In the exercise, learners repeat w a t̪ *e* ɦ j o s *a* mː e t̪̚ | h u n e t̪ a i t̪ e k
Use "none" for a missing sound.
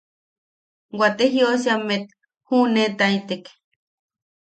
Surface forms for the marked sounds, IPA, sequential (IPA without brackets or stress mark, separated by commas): e, a